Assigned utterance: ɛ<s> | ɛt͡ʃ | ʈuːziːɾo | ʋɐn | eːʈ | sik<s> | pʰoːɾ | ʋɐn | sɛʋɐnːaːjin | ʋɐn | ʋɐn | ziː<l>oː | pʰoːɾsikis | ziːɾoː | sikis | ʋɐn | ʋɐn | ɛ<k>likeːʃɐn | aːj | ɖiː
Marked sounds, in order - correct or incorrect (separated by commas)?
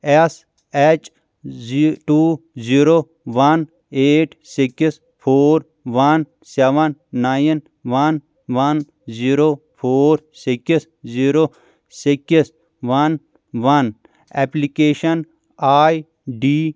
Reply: correct, correct, incorrect, incorrect